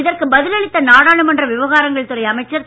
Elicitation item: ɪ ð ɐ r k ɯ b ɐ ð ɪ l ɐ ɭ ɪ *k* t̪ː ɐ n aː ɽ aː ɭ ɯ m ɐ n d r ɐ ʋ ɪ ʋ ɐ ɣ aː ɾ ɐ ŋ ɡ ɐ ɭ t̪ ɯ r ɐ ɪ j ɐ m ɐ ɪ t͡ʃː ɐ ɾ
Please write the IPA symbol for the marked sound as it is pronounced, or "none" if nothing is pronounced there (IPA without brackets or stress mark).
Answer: t